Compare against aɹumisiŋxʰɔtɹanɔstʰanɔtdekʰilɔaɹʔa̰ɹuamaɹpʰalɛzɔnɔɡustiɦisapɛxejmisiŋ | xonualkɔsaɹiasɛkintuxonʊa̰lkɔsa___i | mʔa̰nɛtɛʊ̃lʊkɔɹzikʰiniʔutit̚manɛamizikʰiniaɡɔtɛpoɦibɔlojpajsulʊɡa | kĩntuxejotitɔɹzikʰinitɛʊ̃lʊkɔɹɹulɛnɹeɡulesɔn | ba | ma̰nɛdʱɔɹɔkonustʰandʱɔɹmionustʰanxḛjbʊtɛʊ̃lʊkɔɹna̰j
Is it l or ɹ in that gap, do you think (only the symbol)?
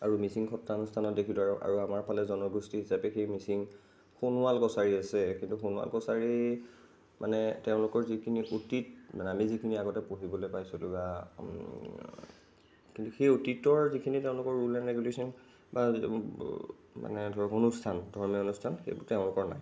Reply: ɹ